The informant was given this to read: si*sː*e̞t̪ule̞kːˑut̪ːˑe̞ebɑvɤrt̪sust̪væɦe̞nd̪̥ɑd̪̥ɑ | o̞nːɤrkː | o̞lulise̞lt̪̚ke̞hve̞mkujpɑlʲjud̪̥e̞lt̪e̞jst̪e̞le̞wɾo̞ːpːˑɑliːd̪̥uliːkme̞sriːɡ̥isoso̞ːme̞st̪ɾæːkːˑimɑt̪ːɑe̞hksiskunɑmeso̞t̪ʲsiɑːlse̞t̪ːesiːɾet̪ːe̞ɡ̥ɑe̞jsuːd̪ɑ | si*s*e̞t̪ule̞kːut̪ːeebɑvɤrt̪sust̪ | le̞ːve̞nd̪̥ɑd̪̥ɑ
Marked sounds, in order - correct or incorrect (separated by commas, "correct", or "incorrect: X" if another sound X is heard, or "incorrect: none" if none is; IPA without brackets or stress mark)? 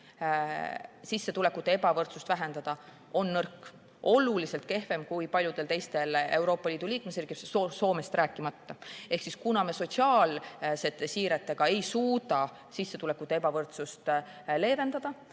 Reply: correct, incorrect: sː